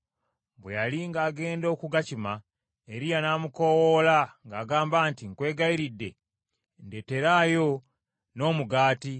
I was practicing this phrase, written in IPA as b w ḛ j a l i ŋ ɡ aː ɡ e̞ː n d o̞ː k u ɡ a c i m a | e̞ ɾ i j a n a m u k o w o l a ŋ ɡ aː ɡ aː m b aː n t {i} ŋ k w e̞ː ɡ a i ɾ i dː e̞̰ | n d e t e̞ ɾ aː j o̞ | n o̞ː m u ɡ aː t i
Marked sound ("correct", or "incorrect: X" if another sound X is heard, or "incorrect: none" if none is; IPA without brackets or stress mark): correct